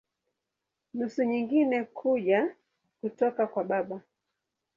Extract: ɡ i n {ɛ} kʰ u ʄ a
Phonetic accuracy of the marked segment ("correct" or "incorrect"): correct